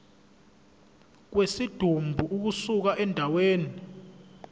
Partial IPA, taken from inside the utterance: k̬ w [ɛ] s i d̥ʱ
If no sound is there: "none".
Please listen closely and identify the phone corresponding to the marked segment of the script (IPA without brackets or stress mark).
e